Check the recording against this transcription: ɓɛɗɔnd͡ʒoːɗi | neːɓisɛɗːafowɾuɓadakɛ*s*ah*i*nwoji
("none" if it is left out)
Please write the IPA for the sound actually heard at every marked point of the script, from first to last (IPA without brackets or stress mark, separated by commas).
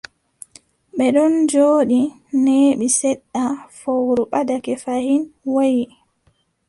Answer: f, i